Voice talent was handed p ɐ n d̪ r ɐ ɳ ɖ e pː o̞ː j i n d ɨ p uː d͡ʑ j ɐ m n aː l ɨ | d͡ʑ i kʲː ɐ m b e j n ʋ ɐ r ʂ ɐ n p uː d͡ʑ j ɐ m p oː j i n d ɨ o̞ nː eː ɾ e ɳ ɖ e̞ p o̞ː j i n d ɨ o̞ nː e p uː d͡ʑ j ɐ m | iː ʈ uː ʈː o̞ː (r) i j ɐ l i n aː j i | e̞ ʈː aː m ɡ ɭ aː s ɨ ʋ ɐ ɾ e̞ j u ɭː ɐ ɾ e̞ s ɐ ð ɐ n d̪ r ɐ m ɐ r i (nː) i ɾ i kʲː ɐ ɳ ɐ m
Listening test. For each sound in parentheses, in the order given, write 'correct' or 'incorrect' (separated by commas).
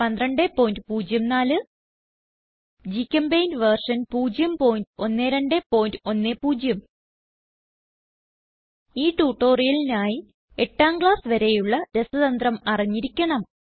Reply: correct, incorrect